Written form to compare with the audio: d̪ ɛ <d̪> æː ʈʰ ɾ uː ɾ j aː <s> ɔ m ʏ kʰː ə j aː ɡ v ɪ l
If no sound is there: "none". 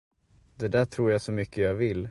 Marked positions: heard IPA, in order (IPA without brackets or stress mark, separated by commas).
d̪, s